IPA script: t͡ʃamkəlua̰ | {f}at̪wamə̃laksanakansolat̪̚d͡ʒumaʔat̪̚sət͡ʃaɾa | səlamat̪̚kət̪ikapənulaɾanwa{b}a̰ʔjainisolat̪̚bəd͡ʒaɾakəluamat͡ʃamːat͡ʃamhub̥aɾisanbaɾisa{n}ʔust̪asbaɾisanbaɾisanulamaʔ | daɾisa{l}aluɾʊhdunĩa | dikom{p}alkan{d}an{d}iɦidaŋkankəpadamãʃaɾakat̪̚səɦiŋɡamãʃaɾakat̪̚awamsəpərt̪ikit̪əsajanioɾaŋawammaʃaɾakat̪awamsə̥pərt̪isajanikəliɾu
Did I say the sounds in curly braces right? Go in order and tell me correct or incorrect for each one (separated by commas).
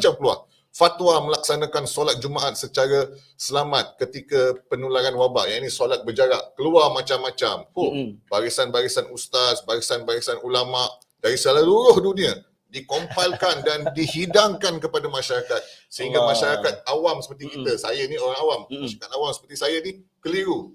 correct, correct, correct, correct, correct, correct, correct